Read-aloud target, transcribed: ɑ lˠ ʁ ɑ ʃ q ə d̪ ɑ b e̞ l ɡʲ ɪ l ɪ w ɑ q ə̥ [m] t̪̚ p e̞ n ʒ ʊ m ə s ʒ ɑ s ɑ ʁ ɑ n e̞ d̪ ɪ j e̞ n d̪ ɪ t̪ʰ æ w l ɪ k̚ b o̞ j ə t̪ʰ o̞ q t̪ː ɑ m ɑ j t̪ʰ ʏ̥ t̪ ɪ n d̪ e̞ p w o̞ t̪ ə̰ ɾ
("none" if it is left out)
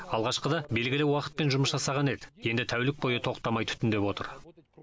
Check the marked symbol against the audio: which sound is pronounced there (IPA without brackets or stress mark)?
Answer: none